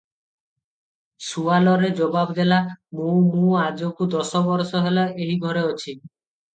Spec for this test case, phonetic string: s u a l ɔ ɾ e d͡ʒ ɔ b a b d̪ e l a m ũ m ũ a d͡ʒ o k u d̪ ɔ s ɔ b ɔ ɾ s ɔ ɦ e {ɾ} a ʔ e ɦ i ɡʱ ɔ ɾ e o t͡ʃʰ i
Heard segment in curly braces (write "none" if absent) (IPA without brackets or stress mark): l